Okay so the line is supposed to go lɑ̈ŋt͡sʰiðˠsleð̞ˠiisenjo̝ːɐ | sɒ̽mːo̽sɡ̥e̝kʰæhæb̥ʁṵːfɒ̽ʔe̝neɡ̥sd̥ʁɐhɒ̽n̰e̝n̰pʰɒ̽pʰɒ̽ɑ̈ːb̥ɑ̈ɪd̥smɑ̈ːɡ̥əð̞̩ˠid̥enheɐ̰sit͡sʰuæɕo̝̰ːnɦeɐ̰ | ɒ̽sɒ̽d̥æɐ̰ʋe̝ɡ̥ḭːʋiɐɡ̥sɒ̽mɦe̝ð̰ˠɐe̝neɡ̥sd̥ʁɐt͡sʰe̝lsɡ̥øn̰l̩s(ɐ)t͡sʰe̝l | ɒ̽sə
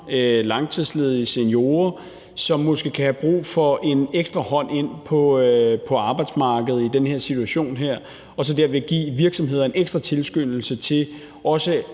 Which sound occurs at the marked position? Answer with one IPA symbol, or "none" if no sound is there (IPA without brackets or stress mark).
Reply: ə